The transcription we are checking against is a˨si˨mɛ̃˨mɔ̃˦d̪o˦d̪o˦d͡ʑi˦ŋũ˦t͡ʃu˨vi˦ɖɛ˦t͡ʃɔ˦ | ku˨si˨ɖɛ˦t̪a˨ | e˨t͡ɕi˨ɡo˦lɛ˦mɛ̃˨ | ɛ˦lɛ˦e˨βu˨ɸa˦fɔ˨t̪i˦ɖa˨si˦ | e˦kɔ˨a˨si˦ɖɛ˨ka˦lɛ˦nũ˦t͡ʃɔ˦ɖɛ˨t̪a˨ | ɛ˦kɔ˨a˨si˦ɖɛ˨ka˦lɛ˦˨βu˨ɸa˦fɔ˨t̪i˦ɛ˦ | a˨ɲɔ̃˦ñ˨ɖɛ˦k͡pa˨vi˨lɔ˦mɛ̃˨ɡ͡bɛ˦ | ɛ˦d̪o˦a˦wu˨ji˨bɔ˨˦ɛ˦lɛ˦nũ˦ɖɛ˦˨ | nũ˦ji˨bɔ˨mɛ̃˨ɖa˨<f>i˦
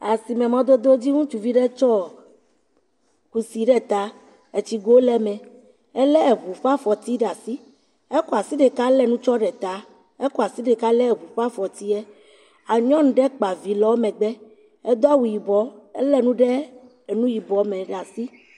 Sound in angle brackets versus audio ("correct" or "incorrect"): incorrect